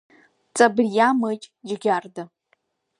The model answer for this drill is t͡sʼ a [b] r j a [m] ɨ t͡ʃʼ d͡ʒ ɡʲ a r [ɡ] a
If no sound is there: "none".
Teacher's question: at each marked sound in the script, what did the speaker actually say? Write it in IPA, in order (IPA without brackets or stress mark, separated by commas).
b, m, d